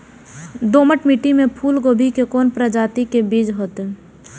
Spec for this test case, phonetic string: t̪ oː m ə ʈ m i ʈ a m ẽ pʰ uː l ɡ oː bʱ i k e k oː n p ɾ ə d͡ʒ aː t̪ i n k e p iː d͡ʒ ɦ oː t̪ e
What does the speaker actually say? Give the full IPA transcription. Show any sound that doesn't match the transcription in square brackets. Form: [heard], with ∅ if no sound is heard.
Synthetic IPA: [d̪] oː m ə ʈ m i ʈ [i] m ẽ pʰ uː l ɡ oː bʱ i k e k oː n p ɾ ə d͡ʒ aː t̪ i [∅] k e [b] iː d͡ʒ ɦ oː t̪ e